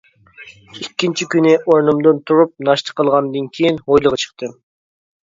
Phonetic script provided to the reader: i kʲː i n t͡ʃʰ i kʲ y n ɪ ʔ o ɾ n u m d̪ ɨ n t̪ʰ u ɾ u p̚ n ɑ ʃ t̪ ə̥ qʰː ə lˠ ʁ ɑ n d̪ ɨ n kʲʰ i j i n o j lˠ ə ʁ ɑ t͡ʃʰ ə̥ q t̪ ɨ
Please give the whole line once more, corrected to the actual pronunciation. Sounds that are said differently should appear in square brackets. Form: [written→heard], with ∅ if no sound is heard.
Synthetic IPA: i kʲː i n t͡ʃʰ i kʲ y n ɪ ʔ o ɾ n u m d̪ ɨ n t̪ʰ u ɾ u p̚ n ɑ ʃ t̪ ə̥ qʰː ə lˠ ʁ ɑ n d̪ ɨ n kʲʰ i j i n o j lˠ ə ʁ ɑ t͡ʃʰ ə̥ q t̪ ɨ